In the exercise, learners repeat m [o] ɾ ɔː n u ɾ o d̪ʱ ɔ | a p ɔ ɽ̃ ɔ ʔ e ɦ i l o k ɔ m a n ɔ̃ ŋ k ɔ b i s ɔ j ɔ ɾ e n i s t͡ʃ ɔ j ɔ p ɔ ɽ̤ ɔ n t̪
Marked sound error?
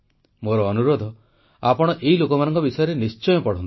no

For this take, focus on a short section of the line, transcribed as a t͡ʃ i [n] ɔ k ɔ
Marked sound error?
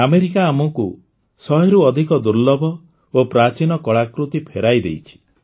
no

